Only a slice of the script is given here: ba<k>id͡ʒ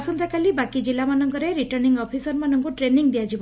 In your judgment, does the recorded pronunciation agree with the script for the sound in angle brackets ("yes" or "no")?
yes